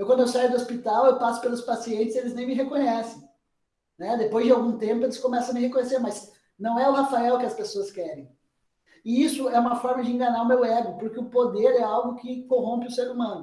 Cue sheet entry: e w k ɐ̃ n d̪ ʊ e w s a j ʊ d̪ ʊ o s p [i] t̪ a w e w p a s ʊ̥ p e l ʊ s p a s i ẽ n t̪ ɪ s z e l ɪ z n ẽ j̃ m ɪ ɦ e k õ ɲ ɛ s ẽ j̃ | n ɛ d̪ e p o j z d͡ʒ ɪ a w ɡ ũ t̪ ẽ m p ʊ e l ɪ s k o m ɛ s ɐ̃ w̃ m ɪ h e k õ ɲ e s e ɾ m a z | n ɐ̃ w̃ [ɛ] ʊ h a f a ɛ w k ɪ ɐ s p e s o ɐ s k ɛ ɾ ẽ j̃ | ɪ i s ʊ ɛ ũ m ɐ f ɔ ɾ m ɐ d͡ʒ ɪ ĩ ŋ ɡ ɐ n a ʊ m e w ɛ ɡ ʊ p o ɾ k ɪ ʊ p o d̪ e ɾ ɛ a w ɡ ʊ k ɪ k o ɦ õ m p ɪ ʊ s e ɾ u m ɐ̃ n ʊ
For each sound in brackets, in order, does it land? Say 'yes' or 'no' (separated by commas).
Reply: yes, yes